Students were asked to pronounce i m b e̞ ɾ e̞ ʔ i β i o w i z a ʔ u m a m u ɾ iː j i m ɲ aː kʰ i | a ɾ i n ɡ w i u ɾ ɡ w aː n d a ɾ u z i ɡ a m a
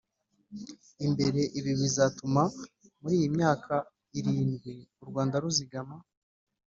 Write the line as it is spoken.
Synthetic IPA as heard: i m b e̞ ɾ e̞ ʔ i β i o β i z a t u m a m u ɾ iː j i m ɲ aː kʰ a | i ɾ iː n ɡ w i u ɾ ɡ w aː n d a ɾ u z i ɡ a m a